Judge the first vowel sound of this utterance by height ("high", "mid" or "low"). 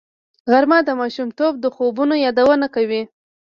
low